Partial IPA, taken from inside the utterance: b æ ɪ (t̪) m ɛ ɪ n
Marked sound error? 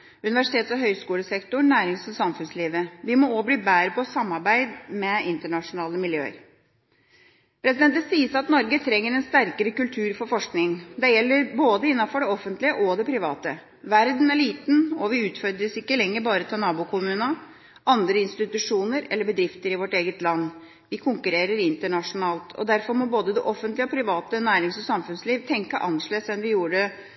yes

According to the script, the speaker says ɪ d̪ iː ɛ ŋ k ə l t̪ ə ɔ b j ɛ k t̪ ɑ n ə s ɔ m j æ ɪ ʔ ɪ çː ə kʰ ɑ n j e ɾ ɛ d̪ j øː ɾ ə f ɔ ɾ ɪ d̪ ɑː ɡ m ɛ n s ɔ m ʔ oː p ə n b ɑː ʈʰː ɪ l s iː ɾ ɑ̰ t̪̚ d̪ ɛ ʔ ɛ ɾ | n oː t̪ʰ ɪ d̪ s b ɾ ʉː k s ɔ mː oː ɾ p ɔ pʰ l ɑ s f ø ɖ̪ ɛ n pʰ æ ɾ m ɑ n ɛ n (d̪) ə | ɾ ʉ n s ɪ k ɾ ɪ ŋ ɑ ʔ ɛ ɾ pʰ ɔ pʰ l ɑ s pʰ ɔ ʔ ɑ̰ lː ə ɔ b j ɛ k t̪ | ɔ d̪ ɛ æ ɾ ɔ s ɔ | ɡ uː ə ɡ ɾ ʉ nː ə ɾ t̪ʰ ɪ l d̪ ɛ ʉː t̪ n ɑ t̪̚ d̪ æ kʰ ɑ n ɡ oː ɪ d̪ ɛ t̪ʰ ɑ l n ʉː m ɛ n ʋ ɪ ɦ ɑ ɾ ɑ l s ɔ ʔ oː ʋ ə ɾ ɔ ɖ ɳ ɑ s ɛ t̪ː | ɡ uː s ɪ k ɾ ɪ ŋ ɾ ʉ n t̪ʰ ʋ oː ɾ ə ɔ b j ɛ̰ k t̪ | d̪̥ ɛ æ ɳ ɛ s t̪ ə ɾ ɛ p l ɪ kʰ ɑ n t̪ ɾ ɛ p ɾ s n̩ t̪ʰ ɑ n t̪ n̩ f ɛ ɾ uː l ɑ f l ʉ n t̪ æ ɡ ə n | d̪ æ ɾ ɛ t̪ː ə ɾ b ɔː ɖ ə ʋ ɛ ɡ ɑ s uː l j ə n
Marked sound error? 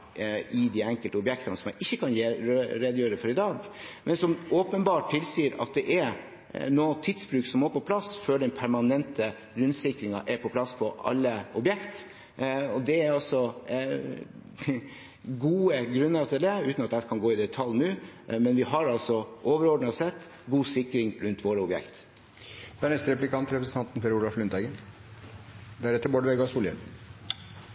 yes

